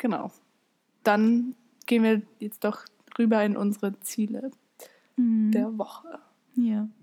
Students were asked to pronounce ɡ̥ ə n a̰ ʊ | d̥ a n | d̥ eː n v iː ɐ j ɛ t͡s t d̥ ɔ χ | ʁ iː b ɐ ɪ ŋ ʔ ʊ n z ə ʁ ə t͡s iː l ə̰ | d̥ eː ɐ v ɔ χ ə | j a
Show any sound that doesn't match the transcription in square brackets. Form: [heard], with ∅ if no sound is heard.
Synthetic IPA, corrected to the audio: ɡ̥ ə n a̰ ʊ | d̥ a n | [ɡ̥] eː n v iː ɐ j ɛ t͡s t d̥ ɔ χ | ʁ [yː] b ɐ ɪ [n] ʔ ʊ n z ə ʁ ə t͡s iː l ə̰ | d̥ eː ɐ v ɔ χ ə | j a